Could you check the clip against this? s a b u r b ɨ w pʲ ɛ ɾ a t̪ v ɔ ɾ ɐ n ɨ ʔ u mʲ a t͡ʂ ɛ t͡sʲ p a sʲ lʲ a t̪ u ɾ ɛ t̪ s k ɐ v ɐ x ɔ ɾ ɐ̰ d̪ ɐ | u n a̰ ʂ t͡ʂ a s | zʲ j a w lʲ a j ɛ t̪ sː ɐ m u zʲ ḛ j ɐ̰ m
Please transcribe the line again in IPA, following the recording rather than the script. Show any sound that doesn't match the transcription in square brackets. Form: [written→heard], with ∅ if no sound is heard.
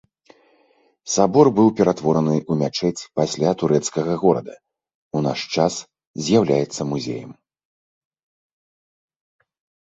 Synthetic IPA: s a b [u→ɔ] r b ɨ w pʲ ɛ ɾ a t̪ v ɔ ɾ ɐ n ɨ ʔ u mʲ a t͡ʂ ɛ t͡sʲ p a sʲ lʲ a t̪ u ɾ ɛ t̪ s k ɐ [v→ɣ] ɐ [x→ɣ] ɔ ɾ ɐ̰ d̪ ɐ | u n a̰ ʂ t͡ʂ a s | zʲ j a w lʲ a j ɛ t̪ sː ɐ m u zʲ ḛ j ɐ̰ m

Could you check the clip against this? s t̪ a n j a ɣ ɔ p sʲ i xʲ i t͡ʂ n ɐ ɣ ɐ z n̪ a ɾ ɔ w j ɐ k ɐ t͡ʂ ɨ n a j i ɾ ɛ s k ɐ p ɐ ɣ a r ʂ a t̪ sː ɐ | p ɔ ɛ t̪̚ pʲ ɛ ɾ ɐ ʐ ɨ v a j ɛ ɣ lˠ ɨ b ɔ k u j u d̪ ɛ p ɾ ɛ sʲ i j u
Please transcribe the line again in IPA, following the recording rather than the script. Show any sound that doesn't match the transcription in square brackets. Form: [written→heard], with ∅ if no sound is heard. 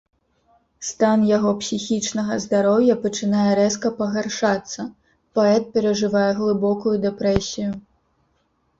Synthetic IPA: s t̪ a n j a ɣ ɔ p sʲ i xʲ i t͡ʂ n ɐ ɣ ɐ z [n̪→d̪] a ɾ ɔ w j ɐ [k→p] ɐ t͡ʂ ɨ n a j [i→ɛ] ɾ ɛ s k ɐ p ɐ ɣ a r ʂ a t̪ sː ɐ | p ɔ ɛ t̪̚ pʲ ɛ ɾ ɐ ʐ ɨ v a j ɛ ɣ lˠ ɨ b ɔ k u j u d̪ ɛ p ɾ ɛ sʲ i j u

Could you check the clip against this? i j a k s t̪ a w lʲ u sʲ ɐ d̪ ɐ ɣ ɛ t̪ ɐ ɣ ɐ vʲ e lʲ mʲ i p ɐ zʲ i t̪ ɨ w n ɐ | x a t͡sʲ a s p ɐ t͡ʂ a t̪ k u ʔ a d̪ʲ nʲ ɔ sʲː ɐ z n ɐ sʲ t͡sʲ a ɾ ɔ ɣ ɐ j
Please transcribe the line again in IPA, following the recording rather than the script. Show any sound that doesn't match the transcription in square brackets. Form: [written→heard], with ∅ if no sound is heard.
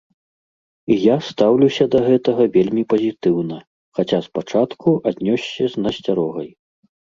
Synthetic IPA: i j a [k→∅] s t̪ a w lʲ u sʲ ɐ d̪ ɐ ɣ ɛ t̪ ɐ ɣ ɐ vʲ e lʲ mʲ i p ɐ zʲ i t̪ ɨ w n ɐ | x a t͡sʲ a s p [ɐ→a] t͡ʂ a t̪ k u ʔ a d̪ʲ nʲ ɔ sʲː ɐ z n ɐ sʲ t͡sʲ a ɾ ɔ ɣ ɐ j

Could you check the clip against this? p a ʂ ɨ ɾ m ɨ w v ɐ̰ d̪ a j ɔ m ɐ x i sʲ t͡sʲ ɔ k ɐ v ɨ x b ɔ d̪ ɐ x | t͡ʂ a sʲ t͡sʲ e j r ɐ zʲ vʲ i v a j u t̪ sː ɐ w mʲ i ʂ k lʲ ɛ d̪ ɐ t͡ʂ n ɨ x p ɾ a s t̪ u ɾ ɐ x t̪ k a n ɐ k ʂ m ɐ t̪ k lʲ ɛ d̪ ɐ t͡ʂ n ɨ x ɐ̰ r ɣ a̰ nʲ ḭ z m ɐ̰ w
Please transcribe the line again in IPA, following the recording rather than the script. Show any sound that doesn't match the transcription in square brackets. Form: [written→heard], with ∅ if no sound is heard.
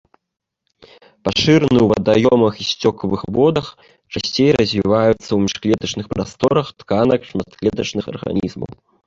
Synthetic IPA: p a ʂ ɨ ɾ [m→n] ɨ w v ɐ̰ d̪ a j ɔ m ɐ x i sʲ t͡sʲ ɔ k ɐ v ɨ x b ɔ d̪ ɐ x | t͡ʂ a sʲ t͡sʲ e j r ɐ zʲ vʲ i v a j u t̪ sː ɐ w mʲ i ʂ k lʲ ɛ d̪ ɐ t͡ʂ n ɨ x p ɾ a s t̪ [u→ɔ] ɾ ɐ x t̪ k a n ɐ k ʂ m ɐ t̪ k lʲ ɛ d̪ ɐ t͡ʂ n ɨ x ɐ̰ r ɣ a̰ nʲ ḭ z m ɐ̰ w

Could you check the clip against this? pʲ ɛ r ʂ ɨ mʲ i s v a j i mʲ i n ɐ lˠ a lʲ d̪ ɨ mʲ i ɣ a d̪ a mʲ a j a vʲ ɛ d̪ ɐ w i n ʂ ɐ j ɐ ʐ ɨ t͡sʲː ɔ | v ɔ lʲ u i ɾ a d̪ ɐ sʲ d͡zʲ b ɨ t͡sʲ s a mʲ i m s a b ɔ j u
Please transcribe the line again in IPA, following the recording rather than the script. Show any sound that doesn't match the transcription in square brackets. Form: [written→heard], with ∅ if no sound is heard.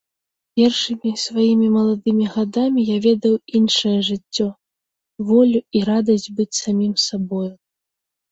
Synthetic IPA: pʲ ɛ r ʂ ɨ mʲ i s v a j i mʲ i [n→m] ɐ lˠ a [lʲ→∅] d̪ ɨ mʲ i ɣ a d̪ a mʲ [a→i] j a vʲ ɛ d̪ ɐ w i n ʂ ɐ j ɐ ʐ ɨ t͡sʲː ɔ | v ɔ lʲ u i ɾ a d̪ ɐ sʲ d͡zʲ b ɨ t͡sʲ s a mʲ i m s a b ɔ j u

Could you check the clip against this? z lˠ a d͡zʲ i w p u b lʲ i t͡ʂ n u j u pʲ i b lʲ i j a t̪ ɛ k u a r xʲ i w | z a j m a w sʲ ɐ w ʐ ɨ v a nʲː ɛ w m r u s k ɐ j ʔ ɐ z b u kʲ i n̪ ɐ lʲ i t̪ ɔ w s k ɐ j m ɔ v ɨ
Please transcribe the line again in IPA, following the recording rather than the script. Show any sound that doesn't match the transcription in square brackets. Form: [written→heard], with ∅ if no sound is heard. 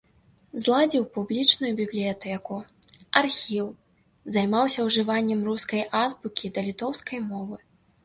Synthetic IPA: z lˠ a d͡zʲ i w p u b lʲ i t͡ʂ n u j u [pʲ→bʲ] i b lʲ i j a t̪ ɛ k u a r xʲ i w | z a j m a w sʲ ɐ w ʐ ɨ v a nʲː ɛ [w→∅] m r u s k ɐ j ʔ [ɐ→a] z b u kʲ i [n̪→d̪] ɐ lʲ i t̪ ɔ w s k ɐ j m ɔ v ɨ

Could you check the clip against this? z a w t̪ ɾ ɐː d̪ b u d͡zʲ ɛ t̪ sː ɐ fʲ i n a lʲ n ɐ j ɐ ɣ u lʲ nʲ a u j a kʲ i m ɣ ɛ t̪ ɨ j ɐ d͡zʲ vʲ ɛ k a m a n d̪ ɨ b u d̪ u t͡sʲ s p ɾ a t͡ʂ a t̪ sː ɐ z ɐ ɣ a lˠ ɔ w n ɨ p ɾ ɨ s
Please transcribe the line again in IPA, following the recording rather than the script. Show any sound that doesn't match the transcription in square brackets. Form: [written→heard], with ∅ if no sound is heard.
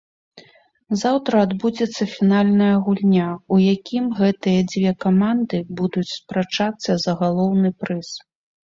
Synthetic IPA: z a w t̪ ɾ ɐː d̪ b u d͡zʲ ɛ t̪ sː ɐ fʲ i n a lʲ n ɐ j ɐ ɣ u lʲ nʲ a u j a kʲ i m ɣ ɛ t̪ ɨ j ɐ d͡zʲ vʲ ɛ k a m a n d̪ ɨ b u d̪ u t͡sʲ s p ɾ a t͡ʂ a t̪ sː ɐ z ɐ ɣ a lˠ ɔ w n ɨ p ɾ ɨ s

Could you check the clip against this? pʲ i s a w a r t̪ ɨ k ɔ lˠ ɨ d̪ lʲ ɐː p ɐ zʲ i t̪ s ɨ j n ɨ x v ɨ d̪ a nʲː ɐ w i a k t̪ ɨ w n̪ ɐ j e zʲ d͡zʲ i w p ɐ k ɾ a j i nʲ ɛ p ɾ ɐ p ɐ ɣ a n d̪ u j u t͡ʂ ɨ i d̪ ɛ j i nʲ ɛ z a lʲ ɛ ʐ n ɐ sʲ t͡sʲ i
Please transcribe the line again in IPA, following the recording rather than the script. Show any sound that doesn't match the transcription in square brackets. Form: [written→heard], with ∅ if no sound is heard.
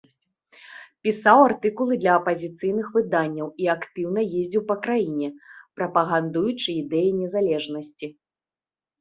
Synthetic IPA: pʲ i s a w a r t̪ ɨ k [ɔ→u] lˠ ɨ d̪ lʲ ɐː p ɐ zʲ i t̪ s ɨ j n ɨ x v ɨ d̪ a nʲː ɐ w i a k t̪ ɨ w n̪ ɐ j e zʲ d͡zʲ i w p ɐ k ɾ a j i nʲ ɛ p ɾ ɐ p ɐ ɣ a n d̪ u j u t͡ʂ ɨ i d̪ ɛ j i nʲ ɛ z a lʲ ɛ ʐ n ɐ sʲ t͡sʲ i

